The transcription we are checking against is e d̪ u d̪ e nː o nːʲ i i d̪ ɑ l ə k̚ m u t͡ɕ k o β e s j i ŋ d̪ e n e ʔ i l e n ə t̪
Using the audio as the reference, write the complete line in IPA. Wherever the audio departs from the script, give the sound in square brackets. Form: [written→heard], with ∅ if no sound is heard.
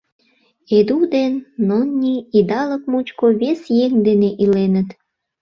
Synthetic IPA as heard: e d̪ u d̪ e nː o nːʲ i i d̪ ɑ l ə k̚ m u t͡ɕ k o β e s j [i→e] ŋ d̪ e n e ʔ i l e n ə t̪

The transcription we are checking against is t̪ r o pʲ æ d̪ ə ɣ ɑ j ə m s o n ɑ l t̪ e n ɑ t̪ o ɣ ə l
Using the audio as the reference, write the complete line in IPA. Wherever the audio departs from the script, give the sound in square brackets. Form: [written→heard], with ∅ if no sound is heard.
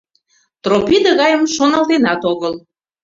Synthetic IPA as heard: t̪ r o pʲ [æ→i] d̪ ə ɣ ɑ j ə m [s→ʃ] o n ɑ l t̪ e n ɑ t̪ o ɣ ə l

